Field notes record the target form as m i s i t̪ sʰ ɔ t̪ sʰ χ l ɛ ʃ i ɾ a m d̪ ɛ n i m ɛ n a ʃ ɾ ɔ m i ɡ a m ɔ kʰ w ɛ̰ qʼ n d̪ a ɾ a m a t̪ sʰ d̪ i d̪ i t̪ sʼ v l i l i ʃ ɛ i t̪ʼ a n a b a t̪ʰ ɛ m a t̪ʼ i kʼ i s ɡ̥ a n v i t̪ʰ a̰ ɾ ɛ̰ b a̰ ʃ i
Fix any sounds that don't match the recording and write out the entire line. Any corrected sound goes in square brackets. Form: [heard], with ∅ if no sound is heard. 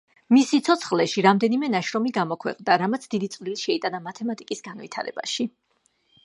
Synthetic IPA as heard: m i s i t̪ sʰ ɔ t̪ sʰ χ l ɛ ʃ i ɾ a m d̪ ɛ n i m ɛ n a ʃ ɾ ɔ m i ɡ a m ɔ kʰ w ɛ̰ qʼ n d̪ a ɾ a m a t̪ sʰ d̪ i d̪ i t̪ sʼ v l i l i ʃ ɛ i t̪ʼ a n a [m] a t̪ʰ ɛ m a t̪ʼ i kʼ i s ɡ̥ a n v i t̪ʰ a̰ ɾ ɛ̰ b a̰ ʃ i